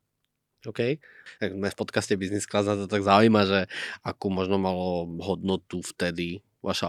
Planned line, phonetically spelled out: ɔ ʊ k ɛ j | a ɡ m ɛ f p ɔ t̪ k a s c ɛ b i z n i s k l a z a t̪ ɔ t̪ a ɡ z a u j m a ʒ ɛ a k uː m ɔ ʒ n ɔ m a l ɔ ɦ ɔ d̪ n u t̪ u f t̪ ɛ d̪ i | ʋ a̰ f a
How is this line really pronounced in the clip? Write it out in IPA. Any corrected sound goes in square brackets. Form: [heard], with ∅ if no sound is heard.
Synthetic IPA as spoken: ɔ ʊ k ɛ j | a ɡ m ɛ f p ɔ t̪ k a s c ɛ b i z n i s k l a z a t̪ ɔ t̪ a ɡ z a u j m a ʒ ɛ a k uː m ɔ ʒ n ɔ m a l ɔ ɦ ɔ d̪ n [ɔ] t̪ u f t̪ ɛ d̪ i | ʋ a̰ [ʃ] a